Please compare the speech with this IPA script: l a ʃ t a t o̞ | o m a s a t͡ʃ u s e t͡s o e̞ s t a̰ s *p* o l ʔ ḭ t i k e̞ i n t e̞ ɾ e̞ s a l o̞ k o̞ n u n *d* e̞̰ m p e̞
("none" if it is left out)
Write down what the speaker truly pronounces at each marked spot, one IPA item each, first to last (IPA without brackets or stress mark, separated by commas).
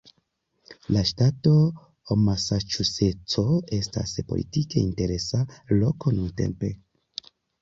p, t